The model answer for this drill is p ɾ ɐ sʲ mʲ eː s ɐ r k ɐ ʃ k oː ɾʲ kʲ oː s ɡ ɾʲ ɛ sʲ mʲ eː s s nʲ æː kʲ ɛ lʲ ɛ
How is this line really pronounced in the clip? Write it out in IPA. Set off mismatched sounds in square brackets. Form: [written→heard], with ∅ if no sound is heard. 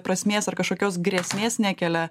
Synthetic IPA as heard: p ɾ ɐ sʲ mʲ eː s ɐ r k ɐ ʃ k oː [ɾʲ→∅] kʲ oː s ɡ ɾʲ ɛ sʲ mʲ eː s s nʲ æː kʲ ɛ lʲ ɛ